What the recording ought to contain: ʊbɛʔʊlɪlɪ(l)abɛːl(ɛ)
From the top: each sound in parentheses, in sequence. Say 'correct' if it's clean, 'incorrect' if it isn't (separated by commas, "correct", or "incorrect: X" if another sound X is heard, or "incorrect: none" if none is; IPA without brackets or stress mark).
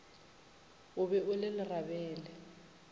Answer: incorrect: r, correct